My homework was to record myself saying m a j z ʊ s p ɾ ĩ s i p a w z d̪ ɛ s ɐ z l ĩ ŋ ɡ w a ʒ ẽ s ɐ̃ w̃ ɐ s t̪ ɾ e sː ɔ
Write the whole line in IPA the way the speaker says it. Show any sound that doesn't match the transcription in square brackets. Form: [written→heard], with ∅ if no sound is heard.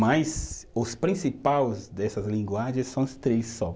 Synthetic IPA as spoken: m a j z ʊ s p ɾ ĩ s i p a w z d̪ ɛ s ɐ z l ĩ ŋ ɡ w a ʒ ẽ s ɐ̃ w̃ ɐ s t̪ ɾ e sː ɔ